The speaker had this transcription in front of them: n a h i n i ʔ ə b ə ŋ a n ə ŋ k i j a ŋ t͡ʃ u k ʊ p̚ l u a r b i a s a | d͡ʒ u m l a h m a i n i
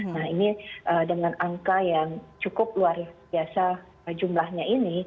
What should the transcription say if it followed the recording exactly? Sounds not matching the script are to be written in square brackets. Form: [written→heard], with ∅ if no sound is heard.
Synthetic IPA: n a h i n i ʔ ə [b→d] ə ŋ a n [ə→a] ŋ k [i→a] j a ŋ t͡ʃ u k ʊ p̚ l u a r b i a s a | d͡ʒ u m l a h [m→ɲ] a i n i